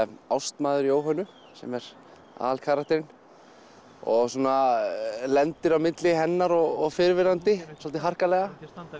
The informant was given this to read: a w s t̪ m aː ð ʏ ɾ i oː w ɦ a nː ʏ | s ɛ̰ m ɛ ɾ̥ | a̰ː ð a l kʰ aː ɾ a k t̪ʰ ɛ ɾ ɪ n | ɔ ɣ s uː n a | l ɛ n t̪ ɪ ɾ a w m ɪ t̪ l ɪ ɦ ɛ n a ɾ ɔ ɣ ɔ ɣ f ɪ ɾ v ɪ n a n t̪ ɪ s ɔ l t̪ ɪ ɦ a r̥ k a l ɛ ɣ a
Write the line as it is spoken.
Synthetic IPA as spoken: a w s t̪ m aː ð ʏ ɾ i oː w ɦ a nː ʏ | s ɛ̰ m ɛ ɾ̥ | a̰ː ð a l kʰ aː ɾ a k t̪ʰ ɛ ɾ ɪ n | ɔ ɣ s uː n a | l ɛ n t̪ ɪ ɾ a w m ɪ t̪ l ɪ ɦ ɛ nː a ɾ ɔ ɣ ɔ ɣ f ɪ ɾ v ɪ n a n t̪ ɪ s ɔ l t̪ ɪ ɦ a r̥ k a l ɛ ɣ a